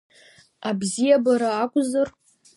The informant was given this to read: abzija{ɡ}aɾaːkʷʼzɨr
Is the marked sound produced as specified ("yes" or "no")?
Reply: no